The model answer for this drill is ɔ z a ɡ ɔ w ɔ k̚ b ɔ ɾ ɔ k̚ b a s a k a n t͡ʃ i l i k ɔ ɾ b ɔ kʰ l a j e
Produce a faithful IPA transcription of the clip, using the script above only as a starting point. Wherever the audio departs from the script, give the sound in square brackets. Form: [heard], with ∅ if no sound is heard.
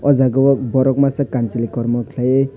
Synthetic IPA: ɔ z a ɡ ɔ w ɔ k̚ b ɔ ɾ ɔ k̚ [m] a s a k a n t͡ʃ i l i k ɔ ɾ [m] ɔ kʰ l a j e